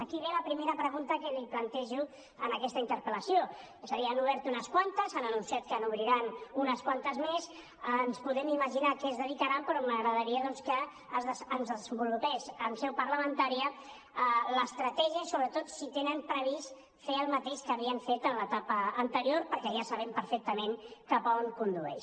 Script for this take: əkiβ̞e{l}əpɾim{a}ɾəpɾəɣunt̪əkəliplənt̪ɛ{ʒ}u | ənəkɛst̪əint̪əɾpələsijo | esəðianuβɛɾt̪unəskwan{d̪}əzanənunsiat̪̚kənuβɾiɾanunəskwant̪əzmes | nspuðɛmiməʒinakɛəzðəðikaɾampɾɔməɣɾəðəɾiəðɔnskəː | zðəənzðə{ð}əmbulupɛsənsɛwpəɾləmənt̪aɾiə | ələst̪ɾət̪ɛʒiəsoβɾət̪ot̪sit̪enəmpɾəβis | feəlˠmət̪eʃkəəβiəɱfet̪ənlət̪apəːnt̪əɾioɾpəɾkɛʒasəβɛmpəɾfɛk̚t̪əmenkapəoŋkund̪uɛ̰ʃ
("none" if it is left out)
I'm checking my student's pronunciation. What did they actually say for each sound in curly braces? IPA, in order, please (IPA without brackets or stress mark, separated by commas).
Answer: l, e, ʒ, t̪, z